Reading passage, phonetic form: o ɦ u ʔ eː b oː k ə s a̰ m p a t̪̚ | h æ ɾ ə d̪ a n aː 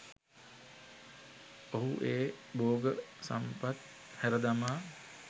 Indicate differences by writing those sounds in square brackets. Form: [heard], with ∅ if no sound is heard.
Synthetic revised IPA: o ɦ u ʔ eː b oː [ɡ] ə s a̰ m p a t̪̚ | h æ ɾ ə d̪ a [m] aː